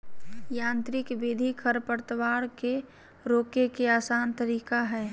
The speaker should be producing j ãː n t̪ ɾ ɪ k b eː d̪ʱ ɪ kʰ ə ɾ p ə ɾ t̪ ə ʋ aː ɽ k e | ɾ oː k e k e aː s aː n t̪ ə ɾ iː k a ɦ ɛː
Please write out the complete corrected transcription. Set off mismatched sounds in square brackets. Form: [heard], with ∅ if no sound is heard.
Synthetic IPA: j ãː n t̪ ɾ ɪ k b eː d̪ʱ [i] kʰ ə ɾ p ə ɾ t̪ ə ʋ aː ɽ k e | ɾ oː k e k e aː s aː n t̪ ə ɾ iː k a ɦ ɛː